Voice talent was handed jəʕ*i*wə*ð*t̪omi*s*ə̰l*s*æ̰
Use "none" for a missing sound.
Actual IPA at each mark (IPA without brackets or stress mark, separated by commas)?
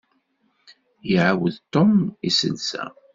a, ð, s, s